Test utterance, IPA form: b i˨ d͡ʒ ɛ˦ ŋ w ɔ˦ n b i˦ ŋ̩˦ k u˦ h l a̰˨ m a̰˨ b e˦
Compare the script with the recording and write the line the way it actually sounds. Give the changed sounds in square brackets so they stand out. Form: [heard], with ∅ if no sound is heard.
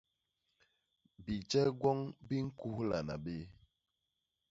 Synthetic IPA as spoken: b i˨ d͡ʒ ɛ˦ [ɡ] w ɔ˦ [ŋ] b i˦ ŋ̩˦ k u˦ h l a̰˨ [n] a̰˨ b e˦